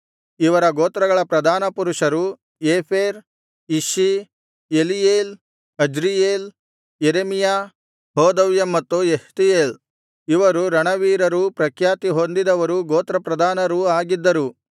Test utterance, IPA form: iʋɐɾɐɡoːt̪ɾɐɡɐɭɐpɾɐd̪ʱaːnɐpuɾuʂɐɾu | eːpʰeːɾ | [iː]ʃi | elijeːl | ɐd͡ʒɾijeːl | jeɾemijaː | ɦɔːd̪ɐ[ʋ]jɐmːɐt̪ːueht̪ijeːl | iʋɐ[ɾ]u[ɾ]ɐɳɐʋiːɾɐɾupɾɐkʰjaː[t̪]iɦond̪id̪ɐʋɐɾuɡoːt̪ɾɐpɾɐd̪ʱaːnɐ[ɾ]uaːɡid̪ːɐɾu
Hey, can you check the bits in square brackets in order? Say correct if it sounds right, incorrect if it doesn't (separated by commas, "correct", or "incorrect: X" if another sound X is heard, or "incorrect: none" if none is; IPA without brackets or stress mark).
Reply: incorrect: i, correct, correct, correct, correct, correct